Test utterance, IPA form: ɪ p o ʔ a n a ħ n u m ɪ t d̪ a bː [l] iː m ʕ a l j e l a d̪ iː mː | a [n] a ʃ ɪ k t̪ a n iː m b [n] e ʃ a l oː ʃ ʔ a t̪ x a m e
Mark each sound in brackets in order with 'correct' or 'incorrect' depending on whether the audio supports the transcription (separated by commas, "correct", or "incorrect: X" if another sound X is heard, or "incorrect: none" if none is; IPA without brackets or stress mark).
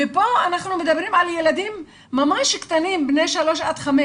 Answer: incorrect: ɾ, incorrect: m, correct